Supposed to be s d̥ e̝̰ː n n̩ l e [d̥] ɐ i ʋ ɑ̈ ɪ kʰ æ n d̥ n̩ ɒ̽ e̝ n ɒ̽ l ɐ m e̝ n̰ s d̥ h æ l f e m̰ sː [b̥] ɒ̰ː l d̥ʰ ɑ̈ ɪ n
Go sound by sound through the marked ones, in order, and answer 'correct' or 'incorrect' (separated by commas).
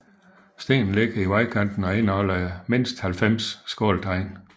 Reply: incorrect, incorrect